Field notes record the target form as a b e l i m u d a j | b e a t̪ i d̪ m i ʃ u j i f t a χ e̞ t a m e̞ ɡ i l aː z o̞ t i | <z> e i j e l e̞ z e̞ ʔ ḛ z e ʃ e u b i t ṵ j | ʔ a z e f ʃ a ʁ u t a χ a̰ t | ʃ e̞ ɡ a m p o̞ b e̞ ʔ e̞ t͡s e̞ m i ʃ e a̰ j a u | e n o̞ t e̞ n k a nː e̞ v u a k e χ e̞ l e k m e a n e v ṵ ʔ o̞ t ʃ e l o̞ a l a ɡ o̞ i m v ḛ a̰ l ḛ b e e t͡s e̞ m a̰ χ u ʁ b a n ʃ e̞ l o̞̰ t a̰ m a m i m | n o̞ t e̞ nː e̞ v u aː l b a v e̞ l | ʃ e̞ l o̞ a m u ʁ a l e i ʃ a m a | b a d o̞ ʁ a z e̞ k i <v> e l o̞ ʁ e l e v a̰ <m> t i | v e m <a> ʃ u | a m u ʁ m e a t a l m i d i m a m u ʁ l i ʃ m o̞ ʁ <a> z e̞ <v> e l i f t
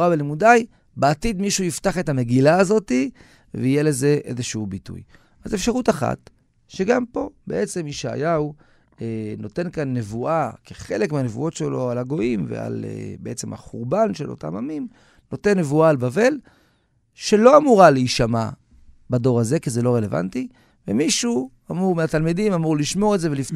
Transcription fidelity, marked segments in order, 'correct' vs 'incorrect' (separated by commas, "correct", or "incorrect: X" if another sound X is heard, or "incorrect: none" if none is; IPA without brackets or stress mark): incorrect: v, incorrect: z, incorrect: n, incorrect: i, incorrect: e, correct